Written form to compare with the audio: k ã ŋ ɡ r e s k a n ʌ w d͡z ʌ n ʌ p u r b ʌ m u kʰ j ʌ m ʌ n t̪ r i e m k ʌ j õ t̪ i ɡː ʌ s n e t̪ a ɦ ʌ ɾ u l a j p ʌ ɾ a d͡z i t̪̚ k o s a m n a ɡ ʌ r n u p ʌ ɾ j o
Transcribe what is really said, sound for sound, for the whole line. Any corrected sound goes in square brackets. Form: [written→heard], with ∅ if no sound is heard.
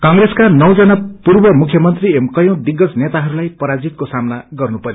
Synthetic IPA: k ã ŋ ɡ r e s k a n ʌ w d͡z ʌ n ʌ p u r b ʌ m u kʰ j ʌ m ʌ n t̪ r i e m k ʌ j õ [t̪→d̪] i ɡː ʌ s n e t̪ a ɦ ʌ ɾ u l a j p ʌ ɾ a d͡z i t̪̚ k o s a m n a ɡ ʌ r n u p ʌ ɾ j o